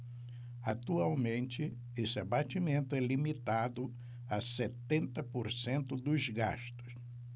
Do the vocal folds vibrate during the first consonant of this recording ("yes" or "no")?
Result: no